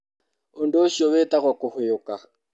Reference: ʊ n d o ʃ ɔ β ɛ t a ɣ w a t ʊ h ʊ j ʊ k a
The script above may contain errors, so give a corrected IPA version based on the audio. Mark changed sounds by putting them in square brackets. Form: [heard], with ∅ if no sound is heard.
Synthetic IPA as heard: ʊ n d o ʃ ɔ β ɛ t a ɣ w a [k] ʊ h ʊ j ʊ k a